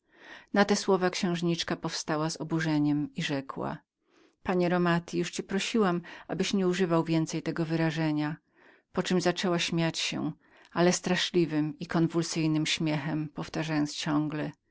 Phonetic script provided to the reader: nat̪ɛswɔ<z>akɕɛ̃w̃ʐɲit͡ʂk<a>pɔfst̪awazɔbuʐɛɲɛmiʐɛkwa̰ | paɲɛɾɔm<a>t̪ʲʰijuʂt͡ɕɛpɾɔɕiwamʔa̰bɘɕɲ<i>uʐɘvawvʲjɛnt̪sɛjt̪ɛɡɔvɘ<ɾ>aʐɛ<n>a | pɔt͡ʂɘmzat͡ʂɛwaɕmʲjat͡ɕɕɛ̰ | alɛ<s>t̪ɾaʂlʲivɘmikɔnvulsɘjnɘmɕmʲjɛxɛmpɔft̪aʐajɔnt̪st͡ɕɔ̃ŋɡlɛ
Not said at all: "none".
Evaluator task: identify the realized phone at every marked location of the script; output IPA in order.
v, a, a, ɛ, ɾ, ɲ, s

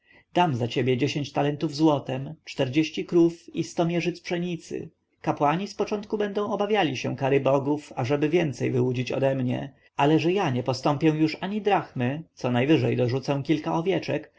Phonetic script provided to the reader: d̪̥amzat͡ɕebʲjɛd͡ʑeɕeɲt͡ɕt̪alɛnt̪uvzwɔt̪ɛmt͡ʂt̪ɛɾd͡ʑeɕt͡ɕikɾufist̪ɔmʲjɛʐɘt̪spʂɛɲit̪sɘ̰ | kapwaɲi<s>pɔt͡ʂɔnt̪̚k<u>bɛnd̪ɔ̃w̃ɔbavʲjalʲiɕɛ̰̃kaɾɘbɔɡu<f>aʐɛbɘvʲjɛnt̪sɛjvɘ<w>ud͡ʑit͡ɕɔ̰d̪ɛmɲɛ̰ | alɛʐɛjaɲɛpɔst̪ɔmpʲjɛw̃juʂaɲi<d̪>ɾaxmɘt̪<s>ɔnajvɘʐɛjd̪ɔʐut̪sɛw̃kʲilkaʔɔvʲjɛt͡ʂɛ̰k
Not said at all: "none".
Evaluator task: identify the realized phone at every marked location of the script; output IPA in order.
s, u, f, w, d̪, s

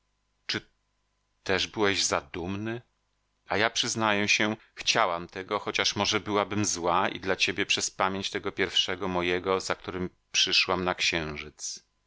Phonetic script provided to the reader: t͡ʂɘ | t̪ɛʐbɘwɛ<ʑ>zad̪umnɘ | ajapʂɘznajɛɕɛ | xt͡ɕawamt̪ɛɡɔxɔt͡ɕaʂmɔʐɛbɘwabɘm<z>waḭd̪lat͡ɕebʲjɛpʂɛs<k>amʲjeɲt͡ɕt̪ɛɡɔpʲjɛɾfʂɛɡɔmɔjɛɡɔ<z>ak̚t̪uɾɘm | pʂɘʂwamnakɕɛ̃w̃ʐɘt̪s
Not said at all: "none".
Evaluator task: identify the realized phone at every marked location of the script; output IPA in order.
ʑ, z, p, z

